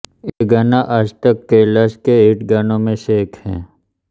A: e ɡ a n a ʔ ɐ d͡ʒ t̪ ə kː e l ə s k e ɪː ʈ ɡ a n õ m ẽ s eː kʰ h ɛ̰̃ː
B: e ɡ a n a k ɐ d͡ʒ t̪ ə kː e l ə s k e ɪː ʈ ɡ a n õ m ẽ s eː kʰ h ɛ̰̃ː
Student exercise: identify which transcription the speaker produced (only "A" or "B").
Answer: A